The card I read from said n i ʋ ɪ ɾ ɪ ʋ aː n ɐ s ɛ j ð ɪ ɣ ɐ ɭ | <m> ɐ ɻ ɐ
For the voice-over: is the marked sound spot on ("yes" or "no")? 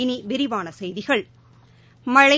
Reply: yes